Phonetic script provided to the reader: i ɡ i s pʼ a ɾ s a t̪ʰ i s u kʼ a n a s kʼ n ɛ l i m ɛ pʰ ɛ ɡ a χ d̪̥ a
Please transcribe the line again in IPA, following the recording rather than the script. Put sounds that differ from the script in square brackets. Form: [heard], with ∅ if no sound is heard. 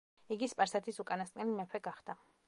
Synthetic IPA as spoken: i ɡ i s pʼ a ɾ s a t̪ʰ i s u kʼ a n a s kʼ n ɛ l i m ɛ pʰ ɛ ɡ a χ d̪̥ a